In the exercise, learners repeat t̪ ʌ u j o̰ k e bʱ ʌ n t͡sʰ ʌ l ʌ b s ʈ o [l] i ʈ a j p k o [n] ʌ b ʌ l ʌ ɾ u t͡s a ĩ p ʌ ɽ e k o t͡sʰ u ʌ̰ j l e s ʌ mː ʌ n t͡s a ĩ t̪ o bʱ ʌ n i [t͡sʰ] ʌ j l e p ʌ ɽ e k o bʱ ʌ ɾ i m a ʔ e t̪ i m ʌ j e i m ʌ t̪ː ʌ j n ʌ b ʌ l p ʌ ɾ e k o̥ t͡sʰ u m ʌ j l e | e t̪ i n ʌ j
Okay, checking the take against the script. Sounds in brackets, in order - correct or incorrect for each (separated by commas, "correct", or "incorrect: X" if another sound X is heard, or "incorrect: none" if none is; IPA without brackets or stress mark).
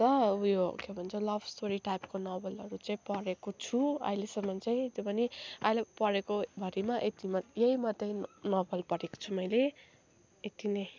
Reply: incorrect: ɾ, correct, incorrect: none